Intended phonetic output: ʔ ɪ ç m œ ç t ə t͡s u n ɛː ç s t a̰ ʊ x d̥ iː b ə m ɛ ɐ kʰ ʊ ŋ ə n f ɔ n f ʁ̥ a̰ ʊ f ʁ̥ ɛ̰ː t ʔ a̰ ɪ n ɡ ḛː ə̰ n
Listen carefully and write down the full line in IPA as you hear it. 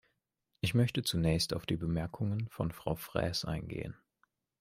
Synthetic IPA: ʔ ɪ ç m œ ç t ə t͡s u n ɛː ç s t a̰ ʊ f d̥ iː b ə m ɛ ɐ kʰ ʊ ŋ ə n f ɔ n f ʁ̥ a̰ ʊ f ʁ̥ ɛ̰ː s ʔ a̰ ɪ n ɡ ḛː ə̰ n